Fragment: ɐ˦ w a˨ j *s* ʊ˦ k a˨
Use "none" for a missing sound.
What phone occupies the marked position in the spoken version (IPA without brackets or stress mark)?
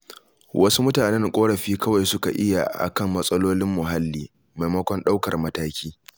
s